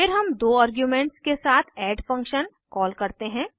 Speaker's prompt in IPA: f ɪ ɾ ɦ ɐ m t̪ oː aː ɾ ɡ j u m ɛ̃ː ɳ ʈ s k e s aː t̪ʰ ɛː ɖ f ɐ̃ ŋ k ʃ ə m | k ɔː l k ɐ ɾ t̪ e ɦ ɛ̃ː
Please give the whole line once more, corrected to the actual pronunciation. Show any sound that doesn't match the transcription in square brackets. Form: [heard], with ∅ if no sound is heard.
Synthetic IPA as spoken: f ɪ ɾ ɦ ɐ m [d̪] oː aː ɾ ɡ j u m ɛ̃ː ɳ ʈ s k e s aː t̪ʰ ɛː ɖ f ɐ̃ ŋ k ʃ ə [n] | k ɔː l k ɐ ɾ t̪ e ɦ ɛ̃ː